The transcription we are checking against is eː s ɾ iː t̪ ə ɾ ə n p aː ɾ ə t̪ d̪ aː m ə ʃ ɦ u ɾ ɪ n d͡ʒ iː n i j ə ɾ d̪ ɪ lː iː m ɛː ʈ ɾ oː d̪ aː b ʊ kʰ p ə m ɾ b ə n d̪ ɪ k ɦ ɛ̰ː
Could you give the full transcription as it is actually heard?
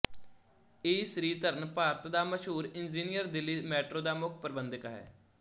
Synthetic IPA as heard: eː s ɾ iː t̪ ə ɾ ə n p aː ɾ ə t̪ d̪ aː m ə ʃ ɦ uː ɾ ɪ n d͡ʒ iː n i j ə ɾ d̪ ɪ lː iː m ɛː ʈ ɾ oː d̪ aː m ʊ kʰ p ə ɾ b ə n d̪ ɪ k ɦ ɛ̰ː